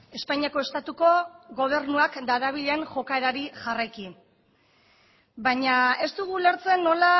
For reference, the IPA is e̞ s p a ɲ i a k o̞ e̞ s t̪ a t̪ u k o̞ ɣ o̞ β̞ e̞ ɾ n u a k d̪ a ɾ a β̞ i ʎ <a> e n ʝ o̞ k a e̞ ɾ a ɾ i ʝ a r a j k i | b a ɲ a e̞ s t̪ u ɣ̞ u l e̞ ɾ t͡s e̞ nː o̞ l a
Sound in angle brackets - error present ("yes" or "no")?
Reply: yes